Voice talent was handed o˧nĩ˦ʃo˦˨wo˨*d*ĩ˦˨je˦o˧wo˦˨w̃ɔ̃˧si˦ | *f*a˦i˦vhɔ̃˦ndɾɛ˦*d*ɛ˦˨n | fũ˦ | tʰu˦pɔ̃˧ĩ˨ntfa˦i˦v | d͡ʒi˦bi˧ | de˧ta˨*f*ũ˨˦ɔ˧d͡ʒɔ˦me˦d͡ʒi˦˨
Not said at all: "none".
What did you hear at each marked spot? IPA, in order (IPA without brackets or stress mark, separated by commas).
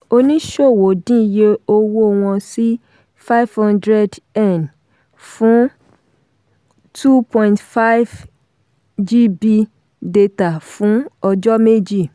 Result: d, f, d, f